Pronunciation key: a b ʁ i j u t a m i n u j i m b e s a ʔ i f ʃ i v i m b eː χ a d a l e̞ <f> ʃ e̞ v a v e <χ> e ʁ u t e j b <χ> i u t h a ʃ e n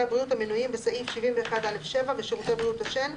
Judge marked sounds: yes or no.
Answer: yes, no, no

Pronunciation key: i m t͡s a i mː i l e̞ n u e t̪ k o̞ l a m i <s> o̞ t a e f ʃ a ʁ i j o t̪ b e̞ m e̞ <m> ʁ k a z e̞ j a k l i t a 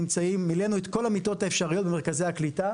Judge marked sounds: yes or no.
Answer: no, no

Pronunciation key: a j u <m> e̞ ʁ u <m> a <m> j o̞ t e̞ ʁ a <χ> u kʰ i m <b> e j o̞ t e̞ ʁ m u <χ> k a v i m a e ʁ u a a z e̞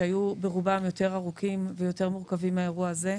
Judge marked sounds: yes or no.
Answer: no, no, yes, no, no, no

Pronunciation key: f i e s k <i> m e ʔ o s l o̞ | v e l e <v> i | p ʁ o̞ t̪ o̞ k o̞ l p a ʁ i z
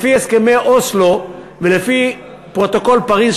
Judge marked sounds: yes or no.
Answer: no, no

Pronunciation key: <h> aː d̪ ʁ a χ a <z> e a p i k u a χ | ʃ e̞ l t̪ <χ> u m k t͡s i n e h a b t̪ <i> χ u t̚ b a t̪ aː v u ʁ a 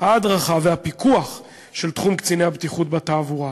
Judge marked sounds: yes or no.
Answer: yes, no, yes, yes

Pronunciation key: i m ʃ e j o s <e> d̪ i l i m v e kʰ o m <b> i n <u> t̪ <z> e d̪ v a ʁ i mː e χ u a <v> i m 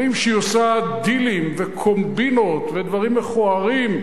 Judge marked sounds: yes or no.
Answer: no, yes, no, no, no

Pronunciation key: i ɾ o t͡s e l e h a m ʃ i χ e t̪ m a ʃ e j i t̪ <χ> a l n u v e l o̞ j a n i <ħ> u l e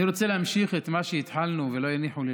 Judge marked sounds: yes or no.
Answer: no, yes

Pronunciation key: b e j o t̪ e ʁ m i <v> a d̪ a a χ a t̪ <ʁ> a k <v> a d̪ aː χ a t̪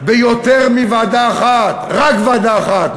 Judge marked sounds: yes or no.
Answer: yes, yes, yes

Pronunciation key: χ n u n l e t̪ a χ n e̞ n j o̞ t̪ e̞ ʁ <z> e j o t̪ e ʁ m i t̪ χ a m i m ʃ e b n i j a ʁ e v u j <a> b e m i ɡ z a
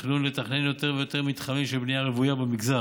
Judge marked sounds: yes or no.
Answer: no, yes

